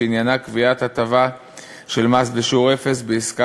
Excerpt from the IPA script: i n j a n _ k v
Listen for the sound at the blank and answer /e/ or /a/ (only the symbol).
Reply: a